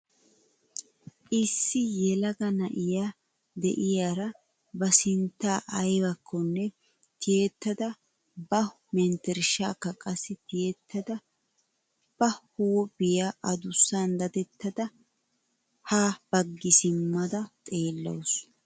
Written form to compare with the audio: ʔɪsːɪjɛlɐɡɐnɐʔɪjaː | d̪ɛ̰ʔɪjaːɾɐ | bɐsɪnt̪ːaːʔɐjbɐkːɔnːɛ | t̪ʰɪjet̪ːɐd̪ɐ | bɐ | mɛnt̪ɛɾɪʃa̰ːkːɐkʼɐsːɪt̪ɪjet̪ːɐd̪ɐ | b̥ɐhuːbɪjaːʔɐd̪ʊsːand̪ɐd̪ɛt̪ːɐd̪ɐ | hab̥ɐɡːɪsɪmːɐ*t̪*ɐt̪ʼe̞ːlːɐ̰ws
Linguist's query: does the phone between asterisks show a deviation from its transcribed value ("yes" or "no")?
yes